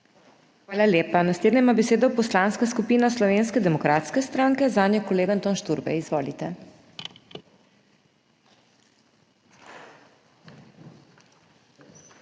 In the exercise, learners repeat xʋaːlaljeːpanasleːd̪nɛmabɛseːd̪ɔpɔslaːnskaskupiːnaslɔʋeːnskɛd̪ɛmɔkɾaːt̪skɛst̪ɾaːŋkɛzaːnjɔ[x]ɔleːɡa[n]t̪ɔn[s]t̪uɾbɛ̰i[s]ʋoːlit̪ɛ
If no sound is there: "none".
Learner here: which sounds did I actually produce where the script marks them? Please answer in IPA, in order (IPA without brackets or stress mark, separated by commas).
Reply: k, n, ʃ, z